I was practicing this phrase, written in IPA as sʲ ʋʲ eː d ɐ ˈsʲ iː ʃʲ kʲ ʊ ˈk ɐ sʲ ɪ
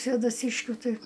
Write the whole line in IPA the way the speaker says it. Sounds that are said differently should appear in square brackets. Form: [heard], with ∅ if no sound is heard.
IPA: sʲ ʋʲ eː d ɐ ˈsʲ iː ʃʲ kʲ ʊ [ˈt] ɐ [∅] ɪ